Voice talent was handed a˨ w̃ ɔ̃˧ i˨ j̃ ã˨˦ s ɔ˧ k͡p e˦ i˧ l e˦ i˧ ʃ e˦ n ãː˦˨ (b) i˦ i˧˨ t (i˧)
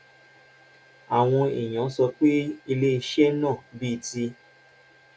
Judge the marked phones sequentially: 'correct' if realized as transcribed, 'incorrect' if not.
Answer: correct, correct

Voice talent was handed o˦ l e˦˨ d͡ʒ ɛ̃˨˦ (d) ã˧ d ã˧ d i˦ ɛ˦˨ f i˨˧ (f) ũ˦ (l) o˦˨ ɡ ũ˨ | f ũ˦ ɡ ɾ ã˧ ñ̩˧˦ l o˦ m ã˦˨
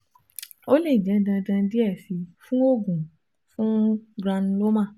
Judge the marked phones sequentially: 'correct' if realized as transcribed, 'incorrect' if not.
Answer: correct, correct, incorrect

